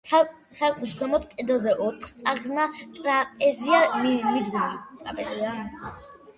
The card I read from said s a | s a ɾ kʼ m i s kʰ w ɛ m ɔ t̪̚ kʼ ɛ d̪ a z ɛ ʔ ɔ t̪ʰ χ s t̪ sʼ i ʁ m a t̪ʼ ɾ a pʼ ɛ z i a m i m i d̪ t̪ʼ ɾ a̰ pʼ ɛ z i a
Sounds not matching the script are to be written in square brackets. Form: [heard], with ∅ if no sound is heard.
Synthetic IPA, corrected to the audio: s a | s a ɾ kʼ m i s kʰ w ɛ m ɔ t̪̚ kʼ ɛ d̪ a z ɛ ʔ ɔ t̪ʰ χ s t̪ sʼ [a] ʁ [n] a t̪ʼ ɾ a pʼ ɛ z i a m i m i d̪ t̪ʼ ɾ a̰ pʼ ɛ z i a